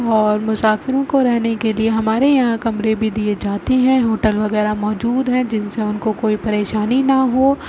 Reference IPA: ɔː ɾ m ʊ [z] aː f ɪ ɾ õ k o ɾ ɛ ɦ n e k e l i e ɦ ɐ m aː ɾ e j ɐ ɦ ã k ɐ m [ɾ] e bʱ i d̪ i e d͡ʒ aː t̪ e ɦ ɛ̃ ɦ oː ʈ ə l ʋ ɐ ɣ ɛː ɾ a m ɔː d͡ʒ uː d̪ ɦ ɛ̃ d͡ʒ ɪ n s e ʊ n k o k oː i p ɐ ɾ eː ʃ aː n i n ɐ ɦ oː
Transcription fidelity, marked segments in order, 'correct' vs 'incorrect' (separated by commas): incorrect, correct